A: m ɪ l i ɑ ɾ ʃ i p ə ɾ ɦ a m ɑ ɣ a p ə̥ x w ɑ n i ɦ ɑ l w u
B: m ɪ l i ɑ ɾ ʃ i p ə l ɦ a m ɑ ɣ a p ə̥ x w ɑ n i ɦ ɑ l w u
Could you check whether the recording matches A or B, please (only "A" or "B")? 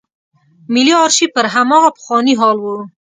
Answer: A